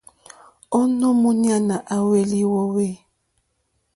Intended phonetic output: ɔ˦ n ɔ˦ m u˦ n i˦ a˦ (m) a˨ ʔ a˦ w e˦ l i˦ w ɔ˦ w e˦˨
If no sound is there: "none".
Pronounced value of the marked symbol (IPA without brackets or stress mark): n